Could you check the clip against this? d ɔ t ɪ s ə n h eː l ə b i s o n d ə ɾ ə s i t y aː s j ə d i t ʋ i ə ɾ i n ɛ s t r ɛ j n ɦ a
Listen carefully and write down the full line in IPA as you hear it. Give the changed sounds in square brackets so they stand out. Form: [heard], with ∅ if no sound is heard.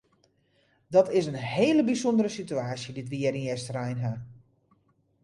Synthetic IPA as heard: d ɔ t ɪ s ə n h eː l ə b i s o n d ə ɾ ə s i t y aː s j ə d i t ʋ i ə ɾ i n ɛ s t r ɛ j n ɦ a